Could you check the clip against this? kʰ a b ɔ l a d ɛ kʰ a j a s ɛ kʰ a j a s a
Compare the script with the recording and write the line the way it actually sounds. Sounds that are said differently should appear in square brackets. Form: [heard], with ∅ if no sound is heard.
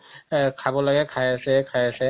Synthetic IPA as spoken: kʰ a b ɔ l a [ɡ] ɛ kʰ a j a s ɛ kʰ a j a s [ɛ]